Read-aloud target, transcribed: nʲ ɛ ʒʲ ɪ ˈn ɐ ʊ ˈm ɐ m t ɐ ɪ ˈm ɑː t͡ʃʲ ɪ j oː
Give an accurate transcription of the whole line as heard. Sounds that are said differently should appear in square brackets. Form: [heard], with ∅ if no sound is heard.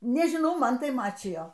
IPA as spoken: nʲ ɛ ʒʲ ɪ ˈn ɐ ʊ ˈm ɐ [n] t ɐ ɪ ˈm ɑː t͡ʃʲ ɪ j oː